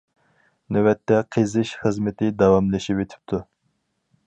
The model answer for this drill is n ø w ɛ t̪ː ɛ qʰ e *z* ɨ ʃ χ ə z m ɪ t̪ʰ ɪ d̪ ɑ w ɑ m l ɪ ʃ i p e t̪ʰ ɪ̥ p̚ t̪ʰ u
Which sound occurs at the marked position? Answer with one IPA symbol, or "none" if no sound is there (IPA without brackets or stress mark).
z